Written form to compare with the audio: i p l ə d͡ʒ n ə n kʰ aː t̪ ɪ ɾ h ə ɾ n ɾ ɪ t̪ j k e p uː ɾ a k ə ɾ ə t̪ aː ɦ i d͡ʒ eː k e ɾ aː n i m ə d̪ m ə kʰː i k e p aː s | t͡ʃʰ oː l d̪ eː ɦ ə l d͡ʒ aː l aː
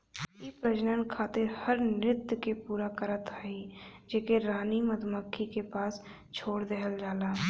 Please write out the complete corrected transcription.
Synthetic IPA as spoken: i p ɾ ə d͡ʒ n ə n kʰ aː t̪ ɪ ɾ h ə ɾ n ɾ ɪ t̪ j k e p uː ɾ a k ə ɾ ə t̪ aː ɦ i d͡ʒ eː k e ɾ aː n i m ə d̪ m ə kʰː i k e p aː s | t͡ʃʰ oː ɽ d̪ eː ɦ ə l d͡ʒ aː l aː